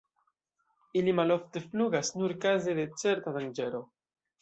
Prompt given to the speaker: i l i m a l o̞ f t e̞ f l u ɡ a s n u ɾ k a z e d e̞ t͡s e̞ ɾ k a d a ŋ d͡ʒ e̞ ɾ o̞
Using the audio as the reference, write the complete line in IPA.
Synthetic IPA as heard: i l i m a l o̞ f t e̞ f l u ɡ a s n u ɾ k a z e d e̞ t͡s e̞ ɾ t a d a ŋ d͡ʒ e̞ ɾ o̞